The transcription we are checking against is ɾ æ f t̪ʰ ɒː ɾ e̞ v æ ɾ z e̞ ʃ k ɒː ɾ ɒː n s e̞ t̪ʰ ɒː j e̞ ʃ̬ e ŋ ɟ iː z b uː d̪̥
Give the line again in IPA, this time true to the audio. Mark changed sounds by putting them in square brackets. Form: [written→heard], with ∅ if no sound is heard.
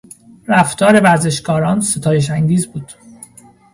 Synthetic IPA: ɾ æ f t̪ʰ ɒː ɾ e̞ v æ ɾ z e̞ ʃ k ɒː ɾ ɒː n s e̞ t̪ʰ ɒː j e̞ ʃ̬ [e→æ] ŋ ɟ iː z b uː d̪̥